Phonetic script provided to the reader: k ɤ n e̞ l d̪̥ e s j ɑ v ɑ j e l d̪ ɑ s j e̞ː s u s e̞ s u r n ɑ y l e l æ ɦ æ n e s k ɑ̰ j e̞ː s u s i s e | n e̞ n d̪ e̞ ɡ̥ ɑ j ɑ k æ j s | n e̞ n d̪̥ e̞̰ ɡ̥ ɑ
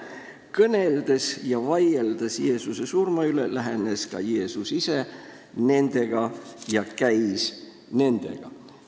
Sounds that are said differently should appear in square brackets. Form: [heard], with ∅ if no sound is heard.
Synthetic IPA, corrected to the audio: k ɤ n e̞ l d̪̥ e s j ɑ v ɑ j e l d̪ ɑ s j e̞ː s u s e̞ s u r [m] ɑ y l e l æ ɦ [e] n e s k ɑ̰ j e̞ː s u s i s e | n e̞ n d̪ e̞ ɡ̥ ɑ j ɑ k æ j s | n e̞ n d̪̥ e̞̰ ɡ̥ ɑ